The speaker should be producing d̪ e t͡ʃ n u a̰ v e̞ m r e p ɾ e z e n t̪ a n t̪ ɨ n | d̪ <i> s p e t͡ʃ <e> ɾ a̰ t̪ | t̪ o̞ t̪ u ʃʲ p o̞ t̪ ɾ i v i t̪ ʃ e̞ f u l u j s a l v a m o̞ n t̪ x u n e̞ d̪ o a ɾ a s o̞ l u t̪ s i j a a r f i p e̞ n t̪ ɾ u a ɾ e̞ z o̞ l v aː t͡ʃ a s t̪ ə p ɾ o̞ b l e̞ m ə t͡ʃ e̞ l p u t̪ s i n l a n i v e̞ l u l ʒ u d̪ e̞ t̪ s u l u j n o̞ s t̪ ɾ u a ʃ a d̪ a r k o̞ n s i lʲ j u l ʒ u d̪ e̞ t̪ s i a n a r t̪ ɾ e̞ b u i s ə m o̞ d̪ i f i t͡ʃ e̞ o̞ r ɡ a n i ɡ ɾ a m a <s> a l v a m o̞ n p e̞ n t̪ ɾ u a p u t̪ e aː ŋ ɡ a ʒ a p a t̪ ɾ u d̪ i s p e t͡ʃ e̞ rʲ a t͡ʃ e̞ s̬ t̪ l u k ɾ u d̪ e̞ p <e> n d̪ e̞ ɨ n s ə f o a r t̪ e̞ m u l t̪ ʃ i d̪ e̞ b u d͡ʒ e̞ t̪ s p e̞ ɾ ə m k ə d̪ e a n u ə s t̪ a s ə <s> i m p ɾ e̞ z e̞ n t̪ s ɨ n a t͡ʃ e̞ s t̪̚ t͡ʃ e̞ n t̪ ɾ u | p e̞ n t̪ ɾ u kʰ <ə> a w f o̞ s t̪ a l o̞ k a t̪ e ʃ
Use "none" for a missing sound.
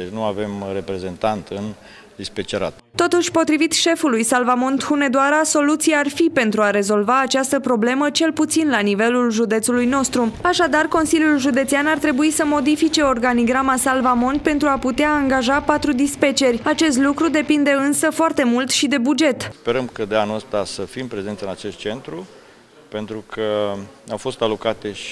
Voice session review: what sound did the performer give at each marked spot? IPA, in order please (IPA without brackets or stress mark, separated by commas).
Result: i, e, s, i, f, ə